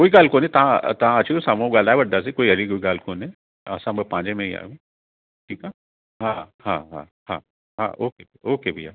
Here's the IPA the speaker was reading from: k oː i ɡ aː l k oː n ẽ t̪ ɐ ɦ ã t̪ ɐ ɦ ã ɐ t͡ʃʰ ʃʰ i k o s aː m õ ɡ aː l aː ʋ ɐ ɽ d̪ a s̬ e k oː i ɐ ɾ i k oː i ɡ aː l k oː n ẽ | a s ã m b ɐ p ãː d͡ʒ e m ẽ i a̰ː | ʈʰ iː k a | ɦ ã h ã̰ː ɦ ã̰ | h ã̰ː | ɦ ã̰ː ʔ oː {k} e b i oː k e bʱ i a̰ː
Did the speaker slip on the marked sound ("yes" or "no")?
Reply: no